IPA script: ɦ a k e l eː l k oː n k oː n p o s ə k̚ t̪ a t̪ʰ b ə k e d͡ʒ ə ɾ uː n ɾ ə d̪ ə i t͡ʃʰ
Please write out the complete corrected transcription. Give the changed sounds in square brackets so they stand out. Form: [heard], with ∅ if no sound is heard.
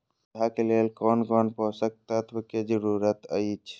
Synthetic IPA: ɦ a k e l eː l k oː n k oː n p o s ə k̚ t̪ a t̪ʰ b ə k e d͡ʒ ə ɾ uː [∅] ɾ ə [t̪] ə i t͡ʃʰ